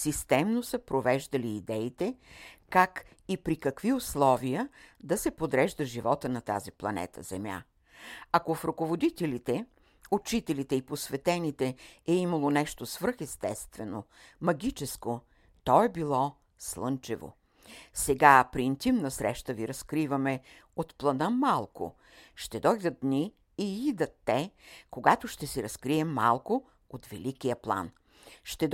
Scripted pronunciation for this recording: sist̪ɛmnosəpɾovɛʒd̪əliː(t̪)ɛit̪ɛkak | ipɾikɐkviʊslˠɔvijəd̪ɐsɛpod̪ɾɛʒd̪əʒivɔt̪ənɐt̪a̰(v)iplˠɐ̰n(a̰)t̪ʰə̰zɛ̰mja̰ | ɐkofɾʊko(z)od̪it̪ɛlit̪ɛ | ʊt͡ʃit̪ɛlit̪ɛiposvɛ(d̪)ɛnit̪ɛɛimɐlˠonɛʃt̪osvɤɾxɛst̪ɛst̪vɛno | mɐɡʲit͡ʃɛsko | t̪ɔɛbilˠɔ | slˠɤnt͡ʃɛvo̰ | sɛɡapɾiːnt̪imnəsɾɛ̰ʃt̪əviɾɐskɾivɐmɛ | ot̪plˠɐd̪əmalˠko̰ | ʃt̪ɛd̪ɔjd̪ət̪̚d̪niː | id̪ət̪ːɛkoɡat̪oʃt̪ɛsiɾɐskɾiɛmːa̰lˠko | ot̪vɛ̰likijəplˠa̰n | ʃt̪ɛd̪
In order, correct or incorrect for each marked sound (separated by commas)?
incorrect, incorrect, incorrect, incorrect, incorrect